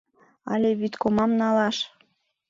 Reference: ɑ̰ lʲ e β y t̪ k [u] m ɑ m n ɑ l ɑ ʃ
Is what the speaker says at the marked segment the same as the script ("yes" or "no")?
no